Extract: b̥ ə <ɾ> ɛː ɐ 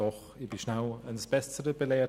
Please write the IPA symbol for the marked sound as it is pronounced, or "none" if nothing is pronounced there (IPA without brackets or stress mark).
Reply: l